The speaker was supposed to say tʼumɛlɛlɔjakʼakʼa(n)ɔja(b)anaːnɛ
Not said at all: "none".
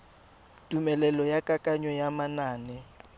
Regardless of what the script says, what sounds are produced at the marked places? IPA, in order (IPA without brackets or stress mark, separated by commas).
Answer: ɲ, m